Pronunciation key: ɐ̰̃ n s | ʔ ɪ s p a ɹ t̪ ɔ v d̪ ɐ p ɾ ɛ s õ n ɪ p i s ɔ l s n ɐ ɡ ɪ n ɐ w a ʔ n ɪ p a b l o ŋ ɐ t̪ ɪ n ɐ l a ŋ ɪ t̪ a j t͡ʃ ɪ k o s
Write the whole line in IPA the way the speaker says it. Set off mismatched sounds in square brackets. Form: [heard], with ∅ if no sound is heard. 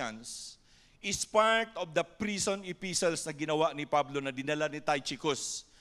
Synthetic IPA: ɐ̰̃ n s | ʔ ɪ s p a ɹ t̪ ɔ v d̪ ɐ p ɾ [i] s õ n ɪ p i s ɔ l s n ɐ ɡ ɪ n ɐ w a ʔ n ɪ p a b l o [n] ɐ [d̪] ɪ n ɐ l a [n] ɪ t̪ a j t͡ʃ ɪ k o s